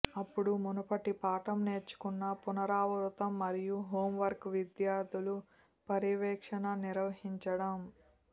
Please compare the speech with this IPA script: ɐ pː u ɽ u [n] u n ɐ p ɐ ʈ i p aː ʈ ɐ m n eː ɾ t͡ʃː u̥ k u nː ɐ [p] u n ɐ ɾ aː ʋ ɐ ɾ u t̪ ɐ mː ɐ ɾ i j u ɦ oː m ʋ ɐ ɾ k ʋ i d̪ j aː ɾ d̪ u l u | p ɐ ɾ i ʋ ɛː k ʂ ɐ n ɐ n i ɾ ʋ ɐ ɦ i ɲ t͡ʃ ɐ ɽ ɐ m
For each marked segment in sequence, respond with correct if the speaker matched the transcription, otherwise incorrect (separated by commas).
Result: incorrect, correct